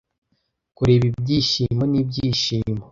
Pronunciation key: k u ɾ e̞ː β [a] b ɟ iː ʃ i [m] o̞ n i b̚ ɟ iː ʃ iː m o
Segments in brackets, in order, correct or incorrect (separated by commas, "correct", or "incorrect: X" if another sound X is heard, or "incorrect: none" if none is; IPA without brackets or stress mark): incorrect: i, correct